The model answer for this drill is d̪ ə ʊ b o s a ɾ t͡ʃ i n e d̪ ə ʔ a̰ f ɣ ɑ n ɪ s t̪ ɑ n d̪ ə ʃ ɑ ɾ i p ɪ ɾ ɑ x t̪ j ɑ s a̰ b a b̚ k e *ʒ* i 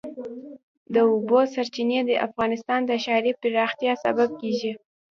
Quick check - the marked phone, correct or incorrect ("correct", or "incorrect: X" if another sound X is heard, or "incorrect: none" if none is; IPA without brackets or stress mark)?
correct